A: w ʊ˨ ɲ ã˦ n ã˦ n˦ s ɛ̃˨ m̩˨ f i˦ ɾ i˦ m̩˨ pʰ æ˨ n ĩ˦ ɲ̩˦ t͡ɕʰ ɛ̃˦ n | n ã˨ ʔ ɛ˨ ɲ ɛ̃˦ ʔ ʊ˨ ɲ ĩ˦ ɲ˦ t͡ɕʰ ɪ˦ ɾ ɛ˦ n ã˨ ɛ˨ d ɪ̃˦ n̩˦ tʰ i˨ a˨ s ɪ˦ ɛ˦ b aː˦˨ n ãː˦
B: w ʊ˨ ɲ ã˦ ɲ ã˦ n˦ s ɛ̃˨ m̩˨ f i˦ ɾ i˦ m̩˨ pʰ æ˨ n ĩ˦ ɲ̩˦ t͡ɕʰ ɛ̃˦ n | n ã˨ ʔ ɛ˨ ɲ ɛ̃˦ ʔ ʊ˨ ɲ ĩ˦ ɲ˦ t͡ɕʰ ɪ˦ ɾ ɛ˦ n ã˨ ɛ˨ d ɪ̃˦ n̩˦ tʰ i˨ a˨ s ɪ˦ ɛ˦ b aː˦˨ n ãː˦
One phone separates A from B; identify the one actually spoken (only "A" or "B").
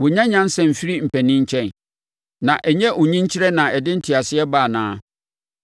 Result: B